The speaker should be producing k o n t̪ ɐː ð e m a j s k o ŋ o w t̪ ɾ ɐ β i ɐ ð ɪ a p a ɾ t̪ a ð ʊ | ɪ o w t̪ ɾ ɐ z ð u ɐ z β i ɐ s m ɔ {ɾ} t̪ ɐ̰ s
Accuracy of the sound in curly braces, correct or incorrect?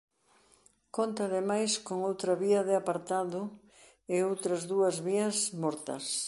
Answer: correct